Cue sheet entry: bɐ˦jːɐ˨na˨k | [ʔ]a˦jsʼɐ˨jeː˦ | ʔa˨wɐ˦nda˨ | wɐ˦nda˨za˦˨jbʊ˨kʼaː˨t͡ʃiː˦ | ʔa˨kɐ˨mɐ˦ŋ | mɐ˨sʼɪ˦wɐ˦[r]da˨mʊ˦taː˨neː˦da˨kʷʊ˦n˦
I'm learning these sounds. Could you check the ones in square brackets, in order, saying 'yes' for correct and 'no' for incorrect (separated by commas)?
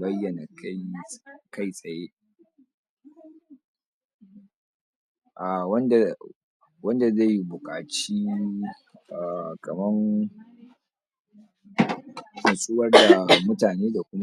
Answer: no, yes